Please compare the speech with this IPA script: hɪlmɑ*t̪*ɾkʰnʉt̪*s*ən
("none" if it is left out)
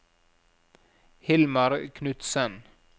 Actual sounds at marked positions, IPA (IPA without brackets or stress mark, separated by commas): none, s